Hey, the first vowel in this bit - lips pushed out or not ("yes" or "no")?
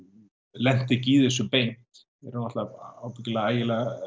no